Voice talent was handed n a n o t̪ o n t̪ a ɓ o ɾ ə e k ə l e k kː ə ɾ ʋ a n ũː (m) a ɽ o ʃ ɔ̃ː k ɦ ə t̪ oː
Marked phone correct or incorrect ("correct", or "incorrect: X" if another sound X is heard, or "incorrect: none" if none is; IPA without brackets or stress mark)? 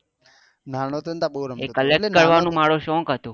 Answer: correct